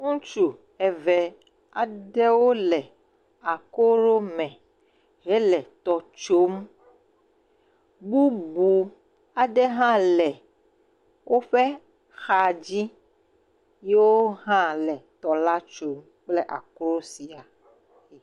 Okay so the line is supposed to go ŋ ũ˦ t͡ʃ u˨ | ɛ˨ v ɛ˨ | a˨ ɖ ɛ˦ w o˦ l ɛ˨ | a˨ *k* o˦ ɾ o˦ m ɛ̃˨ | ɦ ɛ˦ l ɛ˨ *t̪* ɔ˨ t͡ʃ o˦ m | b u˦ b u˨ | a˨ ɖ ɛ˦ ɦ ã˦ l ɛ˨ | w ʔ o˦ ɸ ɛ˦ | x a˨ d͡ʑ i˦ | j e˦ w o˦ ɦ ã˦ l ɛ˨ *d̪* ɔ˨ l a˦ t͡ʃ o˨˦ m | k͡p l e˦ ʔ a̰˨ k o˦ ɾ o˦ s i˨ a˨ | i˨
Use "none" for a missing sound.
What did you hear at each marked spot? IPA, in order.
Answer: k, t̪, t̪

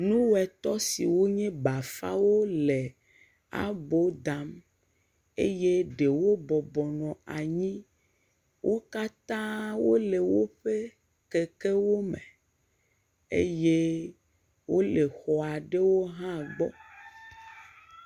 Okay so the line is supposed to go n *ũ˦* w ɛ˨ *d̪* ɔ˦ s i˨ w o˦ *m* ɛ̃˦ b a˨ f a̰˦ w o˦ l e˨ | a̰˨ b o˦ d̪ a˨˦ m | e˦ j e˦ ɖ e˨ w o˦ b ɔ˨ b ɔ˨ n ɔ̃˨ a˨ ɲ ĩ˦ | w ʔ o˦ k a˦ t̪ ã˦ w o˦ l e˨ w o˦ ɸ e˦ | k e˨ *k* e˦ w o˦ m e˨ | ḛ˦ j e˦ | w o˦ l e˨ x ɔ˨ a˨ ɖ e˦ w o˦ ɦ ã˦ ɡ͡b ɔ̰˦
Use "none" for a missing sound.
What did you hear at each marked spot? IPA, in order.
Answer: ũ˦, t̪, ɲ, k

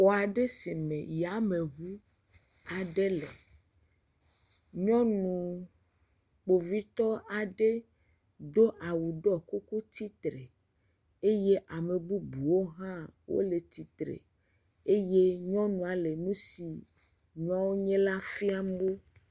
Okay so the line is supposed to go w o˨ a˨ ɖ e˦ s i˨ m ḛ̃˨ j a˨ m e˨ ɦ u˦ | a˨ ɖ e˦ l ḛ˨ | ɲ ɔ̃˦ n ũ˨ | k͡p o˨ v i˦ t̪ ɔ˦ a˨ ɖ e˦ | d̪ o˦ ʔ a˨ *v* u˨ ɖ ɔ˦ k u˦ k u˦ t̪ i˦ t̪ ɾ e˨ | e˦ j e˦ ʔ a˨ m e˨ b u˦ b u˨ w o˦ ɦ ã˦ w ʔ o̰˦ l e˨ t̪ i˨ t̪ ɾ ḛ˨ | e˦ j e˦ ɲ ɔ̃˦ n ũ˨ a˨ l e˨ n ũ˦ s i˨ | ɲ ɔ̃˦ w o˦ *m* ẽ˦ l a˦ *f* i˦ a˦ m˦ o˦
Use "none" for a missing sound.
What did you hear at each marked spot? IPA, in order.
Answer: w, ɲ, f

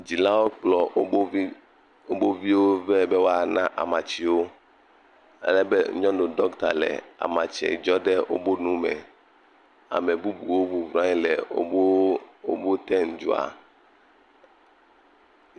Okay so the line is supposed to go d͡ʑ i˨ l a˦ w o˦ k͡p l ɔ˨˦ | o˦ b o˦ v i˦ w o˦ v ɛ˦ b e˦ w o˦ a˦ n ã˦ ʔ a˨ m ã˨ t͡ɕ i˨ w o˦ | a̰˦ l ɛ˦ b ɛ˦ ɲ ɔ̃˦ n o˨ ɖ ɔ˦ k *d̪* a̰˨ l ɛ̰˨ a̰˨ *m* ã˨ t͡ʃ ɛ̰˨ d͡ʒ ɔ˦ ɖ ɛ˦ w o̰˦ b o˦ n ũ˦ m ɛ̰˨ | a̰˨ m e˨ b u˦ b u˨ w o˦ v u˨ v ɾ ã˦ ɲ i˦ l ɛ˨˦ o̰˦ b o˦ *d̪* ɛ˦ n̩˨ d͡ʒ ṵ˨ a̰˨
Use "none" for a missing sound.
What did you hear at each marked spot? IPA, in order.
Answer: t̪, m, t̪

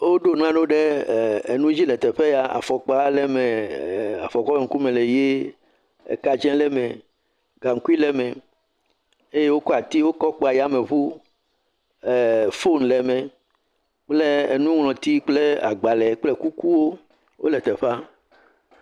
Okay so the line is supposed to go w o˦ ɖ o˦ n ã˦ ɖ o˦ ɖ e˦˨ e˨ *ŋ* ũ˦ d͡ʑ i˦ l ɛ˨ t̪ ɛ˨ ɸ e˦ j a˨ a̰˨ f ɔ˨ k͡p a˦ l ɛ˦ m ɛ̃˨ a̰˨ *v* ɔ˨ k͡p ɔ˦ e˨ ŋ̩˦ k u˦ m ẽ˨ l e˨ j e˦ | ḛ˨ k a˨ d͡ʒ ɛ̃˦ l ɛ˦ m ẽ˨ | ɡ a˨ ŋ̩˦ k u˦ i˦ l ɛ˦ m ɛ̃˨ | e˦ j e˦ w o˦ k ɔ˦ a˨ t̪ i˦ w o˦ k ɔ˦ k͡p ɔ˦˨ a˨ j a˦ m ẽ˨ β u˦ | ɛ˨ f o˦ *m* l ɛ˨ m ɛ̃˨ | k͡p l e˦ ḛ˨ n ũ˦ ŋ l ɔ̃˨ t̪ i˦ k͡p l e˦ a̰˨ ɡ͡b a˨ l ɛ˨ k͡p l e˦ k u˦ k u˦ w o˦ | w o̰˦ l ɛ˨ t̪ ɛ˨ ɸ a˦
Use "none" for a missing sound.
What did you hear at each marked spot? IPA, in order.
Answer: n, f, n

